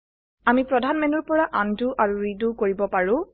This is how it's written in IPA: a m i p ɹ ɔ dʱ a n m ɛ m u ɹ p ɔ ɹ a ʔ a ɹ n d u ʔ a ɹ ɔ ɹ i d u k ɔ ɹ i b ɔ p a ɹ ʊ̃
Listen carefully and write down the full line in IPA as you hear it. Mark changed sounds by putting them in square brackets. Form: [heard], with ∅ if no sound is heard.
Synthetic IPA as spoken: a m i p ɹ ɔ dʱ a n m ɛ [n] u ɹ p ɔ ɹ a ʔ a [∅] n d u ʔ a ɹ [u] ɹ i d u k [o] ɹ i b ɔ p a ɹ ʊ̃

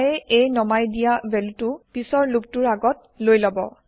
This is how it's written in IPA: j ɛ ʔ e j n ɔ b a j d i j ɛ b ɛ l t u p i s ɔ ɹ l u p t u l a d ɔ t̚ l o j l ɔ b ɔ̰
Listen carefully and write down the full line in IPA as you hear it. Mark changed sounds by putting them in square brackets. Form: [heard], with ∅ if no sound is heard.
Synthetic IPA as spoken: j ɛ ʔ e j n ɔ [m] a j d i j [a] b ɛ l t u p i s ɔ ɹ l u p t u [ɹ] a [ɡ] ɔ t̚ l o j l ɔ b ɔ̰

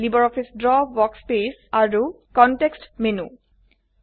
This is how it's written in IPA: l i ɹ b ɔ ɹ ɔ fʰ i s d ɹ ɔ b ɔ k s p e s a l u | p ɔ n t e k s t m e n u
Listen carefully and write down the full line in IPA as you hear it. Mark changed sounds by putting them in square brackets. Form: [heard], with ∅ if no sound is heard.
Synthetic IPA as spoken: l i [∅] b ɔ ɹ ɔ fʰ i s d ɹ ɔ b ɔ k s p e s a [ɹ] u | [k] ɔ n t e k s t m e n u

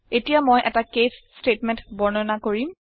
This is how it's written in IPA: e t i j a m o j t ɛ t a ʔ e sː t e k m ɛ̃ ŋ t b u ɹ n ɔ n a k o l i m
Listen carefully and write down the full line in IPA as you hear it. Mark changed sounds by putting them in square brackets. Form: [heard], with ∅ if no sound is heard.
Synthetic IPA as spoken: e t i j a m o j [ʔ] ɛ t a [k] e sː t e [t] m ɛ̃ [n] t b [ɔ] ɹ n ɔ n a k o [ɹ] i m

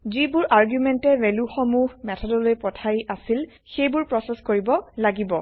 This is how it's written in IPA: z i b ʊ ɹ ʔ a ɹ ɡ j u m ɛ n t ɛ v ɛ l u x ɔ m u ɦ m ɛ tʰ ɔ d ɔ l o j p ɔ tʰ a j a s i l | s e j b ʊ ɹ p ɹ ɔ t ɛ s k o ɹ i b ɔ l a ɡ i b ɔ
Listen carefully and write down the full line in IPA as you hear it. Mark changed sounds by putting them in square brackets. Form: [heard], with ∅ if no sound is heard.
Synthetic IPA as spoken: z i b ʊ ɹ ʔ a ɹ ɡ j u m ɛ n t ɛ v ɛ l u x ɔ m u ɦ m ɛ tʰ ɔ d ɔ l o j p ɔ tʰ a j a s i l | [x] e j b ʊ ɹ p ɹ ɔ [s] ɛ s k o ɹ i b ɔ l a ɡ i b ɔ

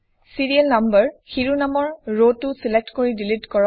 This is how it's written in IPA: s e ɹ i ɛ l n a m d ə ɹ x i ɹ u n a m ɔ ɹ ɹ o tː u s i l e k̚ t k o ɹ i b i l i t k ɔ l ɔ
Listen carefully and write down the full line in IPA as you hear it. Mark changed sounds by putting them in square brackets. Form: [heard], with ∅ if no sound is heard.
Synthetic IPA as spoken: s [i] ɹ i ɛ l n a m [b] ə ɹ x i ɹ u n a m ɔ ɹ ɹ o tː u s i l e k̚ t k o ɹ i [d] i l i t k ɔ [ɹ] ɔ

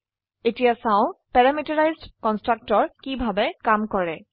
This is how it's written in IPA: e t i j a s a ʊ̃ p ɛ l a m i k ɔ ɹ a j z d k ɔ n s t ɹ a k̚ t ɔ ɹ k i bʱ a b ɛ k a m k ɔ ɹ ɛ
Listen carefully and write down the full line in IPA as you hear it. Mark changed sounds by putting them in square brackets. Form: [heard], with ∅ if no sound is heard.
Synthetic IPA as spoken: e t i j a s a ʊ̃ p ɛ [ɹ] a m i [t] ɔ ɹ a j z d k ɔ n s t ɹ a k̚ t ɔ ɹ k i bʱ a b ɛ k a m k ɔ ɹ ɛ

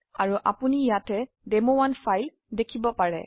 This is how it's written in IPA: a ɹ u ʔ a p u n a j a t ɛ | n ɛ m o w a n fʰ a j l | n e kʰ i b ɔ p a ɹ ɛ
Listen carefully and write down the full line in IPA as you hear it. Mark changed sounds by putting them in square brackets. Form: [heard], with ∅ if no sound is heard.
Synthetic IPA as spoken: a ɹ u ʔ a p u n [i] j a t ɛ | [d] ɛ m o w a n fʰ a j l | [d] e kʰ i b ɔ p a ɹ ɛ

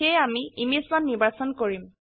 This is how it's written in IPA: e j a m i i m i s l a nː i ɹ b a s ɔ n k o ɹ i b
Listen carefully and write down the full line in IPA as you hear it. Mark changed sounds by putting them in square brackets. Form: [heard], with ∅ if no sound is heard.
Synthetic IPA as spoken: e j a m i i m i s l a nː i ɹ b a s ɔ n k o ɹ i [m]

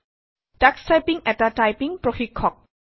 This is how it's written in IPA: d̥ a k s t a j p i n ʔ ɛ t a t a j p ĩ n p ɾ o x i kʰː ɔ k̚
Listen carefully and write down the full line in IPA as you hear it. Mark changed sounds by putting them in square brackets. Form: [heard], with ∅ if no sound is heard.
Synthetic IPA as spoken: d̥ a k s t a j p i [ŋ] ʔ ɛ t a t a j p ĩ [ŋ] p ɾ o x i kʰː ɔ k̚

